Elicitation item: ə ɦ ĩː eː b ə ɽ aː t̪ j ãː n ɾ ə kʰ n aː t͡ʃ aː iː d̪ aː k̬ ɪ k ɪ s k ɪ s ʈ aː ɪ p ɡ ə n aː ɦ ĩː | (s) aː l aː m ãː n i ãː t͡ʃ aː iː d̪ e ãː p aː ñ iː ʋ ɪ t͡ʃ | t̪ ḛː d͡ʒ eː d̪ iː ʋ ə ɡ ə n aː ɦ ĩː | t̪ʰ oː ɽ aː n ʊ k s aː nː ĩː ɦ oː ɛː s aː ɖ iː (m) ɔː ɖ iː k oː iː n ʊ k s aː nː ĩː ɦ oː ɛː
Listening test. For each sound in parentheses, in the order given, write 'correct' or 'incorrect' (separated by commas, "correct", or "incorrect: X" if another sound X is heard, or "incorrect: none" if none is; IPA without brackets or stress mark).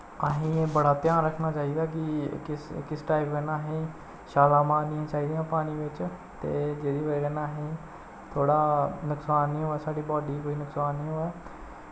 incorrect: ʃ, incorrect: b